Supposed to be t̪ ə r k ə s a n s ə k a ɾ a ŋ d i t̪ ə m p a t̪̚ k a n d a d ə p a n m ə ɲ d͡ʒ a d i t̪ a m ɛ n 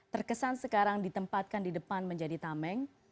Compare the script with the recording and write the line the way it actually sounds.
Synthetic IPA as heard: t̪ ə r k ə s a n s ə k a ɾ a ŋ d i t̪ ə m p a t̪̚ k a n d i d ə p a n m ə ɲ d͡ʒ a d i t̪ a m ɛ ŋ